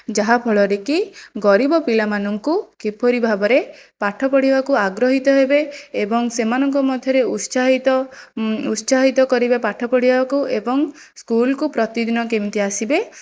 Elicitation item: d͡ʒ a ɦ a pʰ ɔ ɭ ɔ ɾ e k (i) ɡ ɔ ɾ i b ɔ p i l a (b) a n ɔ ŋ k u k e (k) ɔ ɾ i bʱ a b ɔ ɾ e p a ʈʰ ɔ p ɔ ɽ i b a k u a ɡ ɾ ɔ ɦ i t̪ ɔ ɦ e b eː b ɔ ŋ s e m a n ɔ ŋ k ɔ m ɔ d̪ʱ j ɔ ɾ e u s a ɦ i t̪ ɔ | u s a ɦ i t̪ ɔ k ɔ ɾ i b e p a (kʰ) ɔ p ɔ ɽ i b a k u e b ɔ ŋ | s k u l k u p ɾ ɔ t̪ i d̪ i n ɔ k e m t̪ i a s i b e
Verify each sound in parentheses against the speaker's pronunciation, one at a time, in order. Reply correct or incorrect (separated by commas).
correct, incorrect, incorrect, incorrect